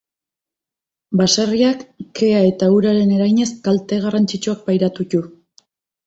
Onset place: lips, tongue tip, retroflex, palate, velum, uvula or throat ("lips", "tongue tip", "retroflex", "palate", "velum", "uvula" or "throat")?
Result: lips